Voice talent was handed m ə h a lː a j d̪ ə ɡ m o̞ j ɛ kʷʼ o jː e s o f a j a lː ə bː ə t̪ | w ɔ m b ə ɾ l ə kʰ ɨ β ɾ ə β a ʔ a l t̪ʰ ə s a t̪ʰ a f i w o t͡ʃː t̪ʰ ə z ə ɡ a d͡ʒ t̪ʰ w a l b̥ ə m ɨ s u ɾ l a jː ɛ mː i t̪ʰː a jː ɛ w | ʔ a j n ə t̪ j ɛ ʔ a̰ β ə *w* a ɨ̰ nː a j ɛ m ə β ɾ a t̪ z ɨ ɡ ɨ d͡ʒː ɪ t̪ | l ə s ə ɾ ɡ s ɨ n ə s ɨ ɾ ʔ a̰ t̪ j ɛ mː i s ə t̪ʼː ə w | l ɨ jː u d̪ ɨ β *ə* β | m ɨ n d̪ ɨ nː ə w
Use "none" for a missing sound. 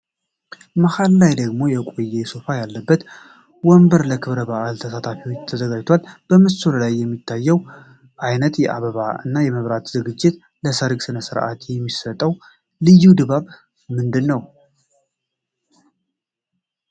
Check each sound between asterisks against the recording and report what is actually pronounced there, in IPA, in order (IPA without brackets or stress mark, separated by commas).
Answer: β, a